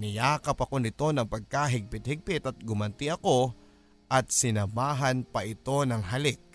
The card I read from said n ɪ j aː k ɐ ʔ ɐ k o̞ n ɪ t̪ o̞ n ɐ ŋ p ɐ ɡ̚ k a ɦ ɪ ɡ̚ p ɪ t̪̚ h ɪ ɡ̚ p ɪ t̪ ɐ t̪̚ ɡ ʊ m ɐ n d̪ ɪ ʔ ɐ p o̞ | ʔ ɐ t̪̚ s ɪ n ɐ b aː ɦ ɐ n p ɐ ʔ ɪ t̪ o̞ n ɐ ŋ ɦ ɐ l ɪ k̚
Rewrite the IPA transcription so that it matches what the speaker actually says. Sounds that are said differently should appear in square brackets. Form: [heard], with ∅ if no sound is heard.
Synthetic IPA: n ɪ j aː k ɐ [p] ɐ k o̞ n ɪ t̪ o̞ n ɐ ŋ p ɐ ɡ̚ k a ɦ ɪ ɡ̚ p ɪ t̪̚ h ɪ ɡ̚ p ɪ t̪ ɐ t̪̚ ɡ ʊ m ɐ n [t̪] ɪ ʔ ɐ [k] o̞ | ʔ ɐ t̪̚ s ɪ n ɐ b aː ɦ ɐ n p ɐ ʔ ɪ t̪ o̞ n ɐ ŋ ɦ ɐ l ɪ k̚